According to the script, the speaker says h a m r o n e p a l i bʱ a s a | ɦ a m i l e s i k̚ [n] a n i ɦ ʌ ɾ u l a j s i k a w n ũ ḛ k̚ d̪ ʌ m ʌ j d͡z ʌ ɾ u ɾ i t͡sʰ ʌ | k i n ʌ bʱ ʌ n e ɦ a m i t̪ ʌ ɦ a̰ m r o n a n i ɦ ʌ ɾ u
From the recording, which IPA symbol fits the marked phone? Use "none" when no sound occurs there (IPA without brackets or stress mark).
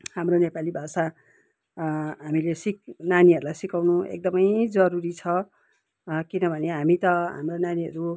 n